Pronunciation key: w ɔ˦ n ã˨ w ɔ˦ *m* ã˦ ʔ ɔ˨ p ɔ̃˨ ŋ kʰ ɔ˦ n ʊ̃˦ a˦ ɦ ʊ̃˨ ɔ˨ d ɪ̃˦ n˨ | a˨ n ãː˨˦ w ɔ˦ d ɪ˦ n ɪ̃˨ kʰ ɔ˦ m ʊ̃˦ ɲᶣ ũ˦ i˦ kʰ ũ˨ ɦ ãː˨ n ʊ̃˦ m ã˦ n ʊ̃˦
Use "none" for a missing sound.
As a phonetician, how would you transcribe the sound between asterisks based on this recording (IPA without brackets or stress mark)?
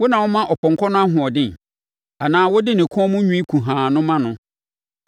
m